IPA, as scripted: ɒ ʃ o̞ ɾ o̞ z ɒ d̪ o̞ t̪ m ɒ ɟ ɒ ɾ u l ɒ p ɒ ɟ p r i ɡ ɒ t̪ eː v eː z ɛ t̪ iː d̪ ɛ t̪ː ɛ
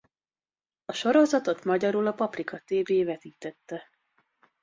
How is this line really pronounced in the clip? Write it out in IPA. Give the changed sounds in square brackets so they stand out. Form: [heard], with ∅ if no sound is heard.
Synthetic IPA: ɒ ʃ o̞ ɾ o̞ z ɒ [t̪] o̞ t̪ m ɒ ɟ ɒ ɾ u l ɒ p ɒ [∅] p r i [k] ɒ t̪ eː v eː [v] ɛ t̪ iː [t̪] ɛ t̪ː ɛ